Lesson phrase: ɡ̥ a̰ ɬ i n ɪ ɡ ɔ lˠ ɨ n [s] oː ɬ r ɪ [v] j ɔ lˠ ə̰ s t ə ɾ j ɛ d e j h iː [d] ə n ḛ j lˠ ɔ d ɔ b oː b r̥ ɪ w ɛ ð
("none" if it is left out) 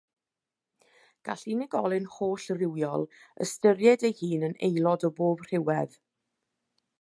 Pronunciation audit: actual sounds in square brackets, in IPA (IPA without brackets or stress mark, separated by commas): h, w, n